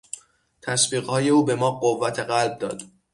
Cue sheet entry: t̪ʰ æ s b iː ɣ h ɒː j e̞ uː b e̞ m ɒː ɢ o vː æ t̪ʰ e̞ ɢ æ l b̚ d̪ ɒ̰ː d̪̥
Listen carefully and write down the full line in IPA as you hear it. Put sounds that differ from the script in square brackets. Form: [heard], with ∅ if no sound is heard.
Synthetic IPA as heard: t̪ʰ æ s b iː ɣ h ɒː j e̞ uː b e̞ m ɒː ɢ o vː æ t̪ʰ e̞ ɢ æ l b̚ d̪ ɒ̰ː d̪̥